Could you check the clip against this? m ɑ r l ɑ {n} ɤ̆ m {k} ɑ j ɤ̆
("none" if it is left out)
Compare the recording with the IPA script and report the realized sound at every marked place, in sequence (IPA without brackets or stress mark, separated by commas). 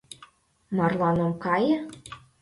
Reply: n, k